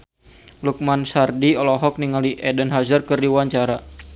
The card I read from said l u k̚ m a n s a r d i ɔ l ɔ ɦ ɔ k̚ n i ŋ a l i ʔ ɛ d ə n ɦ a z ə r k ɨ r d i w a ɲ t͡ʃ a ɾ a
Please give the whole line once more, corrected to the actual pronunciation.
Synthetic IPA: l u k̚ m a n s a r d i ɔ l ɔ ɦ ɔ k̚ n i ŋ a l i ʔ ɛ d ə n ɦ a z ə r k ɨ r d i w a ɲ t͡ʃ a ɾ a